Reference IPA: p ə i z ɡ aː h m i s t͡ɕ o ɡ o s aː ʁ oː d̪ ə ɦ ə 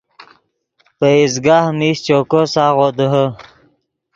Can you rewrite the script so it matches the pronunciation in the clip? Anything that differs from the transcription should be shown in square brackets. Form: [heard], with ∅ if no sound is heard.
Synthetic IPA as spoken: p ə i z ɡ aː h m i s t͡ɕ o [k] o s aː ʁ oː d̪ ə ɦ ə